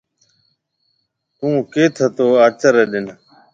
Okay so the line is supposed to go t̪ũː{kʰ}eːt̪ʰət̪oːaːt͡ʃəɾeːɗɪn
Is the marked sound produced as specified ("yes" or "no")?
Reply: no